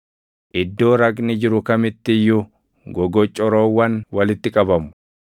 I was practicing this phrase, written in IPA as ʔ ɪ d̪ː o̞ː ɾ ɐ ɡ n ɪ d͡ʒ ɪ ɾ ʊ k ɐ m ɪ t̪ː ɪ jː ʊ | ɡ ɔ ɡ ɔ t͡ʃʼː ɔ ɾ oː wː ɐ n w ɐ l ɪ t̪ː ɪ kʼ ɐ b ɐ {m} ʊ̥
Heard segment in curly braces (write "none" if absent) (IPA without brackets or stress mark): m